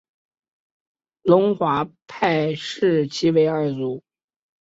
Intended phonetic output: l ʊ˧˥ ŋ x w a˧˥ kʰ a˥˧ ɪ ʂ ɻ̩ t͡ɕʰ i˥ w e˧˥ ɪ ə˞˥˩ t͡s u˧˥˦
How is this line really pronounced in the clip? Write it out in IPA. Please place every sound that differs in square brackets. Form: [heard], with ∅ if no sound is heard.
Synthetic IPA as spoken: l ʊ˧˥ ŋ x w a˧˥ [pʰ] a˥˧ ɪ ʂ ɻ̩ t͡ɕʰ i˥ w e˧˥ ɪ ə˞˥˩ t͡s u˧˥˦